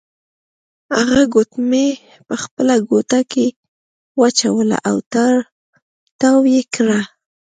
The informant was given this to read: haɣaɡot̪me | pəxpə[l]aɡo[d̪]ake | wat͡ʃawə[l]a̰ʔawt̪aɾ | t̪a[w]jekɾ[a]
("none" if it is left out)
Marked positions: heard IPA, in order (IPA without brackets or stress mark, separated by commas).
l, t̪, l, w, a